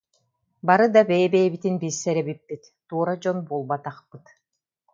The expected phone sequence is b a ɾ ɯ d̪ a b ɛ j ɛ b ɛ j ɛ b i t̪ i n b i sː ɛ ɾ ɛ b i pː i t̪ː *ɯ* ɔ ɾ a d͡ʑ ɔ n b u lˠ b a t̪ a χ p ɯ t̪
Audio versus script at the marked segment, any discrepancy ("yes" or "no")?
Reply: yes